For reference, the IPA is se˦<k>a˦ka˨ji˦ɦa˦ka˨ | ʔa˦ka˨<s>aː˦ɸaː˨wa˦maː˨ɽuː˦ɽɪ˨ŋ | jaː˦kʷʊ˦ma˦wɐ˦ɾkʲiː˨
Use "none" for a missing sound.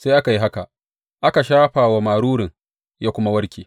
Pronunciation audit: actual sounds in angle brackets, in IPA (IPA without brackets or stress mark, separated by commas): ʔ, ʃ